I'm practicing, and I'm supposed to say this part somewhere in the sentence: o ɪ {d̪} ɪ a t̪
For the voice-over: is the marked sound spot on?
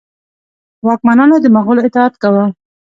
no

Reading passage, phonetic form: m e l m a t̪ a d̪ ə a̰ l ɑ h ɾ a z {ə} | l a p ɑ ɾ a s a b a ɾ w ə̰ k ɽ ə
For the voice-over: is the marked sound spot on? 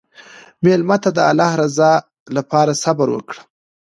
no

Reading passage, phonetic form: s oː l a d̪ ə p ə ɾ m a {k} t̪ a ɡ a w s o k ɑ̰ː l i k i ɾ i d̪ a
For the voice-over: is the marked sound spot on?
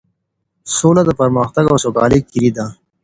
no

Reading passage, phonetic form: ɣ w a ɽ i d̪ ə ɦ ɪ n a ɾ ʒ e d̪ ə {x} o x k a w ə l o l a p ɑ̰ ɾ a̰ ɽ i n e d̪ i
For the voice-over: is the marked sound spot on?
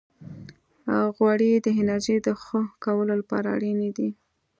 yes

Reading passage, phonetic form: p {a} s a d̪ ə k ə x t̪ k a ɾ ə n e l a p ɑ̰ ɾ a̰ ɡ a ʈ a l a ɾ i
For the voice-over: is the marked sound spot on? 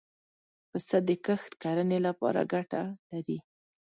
no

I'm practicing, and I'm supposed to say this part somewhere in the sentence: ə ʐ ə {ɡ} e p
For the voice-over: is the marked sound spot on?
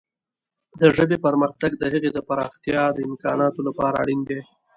no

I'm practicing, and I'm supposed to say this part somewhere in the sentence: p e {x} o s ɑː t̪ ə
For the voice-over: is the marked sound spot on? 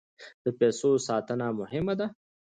no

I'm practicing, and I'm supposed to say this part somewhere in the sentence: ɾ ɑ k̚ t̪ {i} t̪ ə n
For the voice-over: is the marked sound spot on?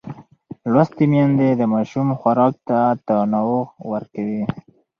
no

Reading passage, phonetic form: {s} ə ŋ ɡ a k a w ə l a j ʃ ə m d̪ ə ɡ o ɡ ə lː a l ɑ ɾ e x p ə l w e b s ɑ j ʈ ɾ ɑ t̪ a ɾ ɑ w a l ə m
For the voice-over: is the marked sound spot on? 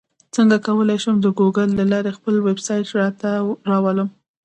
no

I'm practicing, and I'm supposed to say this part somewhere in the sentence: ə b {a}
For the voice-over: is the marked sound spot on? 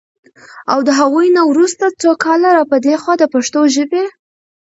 no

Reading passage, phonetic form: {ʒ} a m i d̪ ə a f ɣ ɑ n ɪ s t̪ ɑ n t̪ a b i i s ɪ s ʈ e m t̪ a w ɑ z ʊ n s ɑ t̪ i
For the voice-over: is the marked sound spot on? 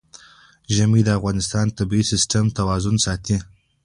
yes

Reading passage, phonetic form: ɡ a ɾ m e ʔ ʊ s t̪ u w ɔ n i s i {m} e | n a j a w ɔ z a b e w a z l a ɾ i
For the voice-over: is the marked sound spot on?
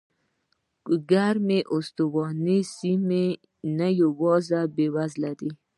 yes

